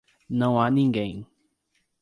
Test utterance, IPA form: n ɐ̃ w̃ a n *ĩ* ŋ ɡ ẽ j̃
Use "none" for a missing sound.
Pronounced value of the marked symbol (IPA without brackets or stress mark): ĩ